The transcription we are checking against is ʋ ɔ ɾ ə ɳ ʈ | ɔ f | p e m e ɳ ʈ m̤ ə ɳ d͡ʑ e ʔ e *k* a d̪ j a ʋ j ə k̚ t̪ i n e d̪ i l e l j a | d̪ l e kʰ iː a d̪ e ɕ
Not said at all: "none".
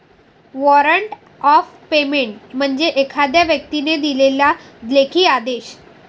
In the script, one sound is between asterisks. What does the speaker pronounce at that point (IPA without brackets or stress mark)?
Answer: kʰ